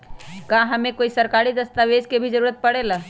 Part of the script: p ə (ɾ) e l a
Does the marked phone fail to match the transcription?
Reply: yes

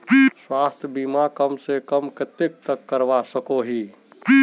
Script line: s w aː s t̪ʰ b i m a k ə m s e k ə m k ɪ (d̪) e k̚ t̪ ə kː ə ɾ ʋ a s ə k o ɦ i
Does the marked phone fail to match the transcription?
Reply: yes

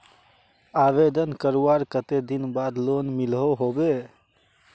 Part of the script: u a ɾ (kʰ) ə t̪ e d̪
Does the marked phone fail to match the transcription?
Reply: yes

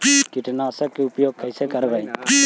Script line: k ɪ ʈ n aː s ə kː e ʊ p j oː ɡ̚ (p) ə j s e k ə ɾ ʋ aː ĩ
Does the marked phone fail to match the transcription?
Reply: yes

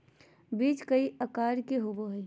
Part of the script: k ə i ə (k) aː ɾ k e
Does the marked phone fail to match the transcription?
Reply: no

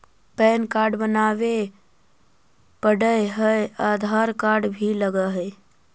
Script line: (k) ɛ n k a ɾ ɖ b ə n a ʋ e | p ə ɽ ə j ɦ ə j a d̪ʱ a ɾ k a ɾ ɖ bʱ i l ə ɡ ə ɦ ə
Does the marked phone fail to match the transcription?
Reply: yes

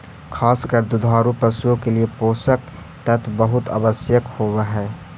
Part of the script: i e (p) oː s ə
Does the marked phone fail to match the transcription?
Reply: no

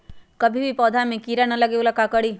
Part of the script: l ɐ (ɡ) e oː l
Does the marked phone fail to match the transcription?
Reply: no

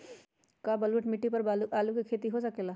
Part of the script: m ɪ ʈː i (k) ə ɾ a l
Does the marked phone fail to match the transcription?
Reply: yes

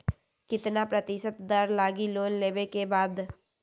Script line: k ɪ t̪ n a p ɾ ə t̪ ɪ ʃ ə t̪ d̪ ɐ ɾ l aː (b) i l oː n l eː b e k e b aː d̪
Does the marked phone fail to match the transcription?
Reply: yes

